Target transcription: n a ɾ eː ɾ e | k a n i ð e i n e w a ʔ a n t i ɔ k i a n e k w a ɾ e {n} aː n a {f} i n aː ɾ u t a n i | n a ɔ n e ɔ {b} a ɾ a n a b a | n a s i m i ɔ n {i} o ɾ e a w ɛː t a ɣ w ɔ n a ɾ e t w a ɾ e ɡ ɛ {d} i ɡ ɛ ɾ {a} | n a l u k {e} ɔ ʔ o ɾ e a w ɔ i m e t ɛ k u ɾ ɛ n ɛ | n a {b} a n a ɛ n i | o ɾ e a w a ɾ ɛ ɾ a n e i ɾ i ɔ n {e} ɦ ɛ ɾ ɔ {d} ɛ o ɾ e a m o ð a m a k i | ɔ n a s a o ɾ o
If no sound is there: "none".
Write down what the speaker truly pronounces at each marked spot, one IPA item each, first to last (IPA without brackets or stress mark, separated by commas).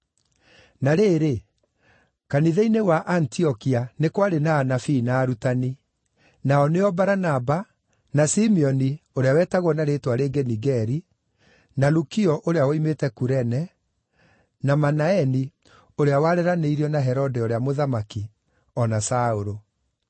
n, f, b, i, n, i, i, m, a, d